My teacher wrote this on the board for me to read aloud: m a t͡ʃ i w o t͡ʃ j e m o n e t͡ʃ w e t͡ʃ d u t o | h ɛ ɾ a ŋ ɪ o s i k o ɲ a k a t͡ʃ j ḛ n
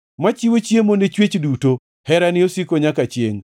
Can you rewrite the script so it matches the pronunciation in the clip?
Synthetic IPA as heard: m a t͡ʃ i w o t͡ʃ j e m o n e t͡ʃ w e t͡ʃ d u t o | h ɛ ɾ a n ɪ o s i k o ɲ a k a t͡ʃ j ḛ ŋ